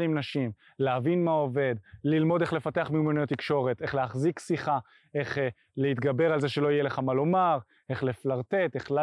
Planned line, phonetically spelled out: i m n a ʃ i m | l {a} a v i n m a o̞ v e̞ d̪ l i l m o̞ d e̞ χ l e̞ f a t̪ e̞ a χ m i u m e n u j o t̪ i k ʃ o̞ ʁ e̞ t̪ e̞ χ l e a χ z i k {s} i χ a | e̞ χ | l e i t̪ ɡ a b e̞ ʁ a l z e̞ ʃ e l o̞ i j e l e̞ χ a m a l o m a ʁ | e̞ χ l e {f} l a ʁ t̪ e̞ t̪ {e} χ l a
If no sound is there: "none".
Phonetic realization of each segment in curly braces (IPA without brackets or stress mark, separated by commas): e, s, f, e